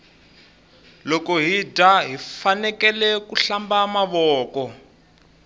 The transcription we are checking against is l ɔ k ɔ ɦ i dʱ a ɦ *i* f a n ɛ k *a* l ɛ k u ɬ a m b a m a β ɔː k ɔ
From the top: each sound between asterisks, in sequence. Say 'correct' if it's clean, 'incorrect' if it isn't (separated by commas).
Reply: correct, incorrect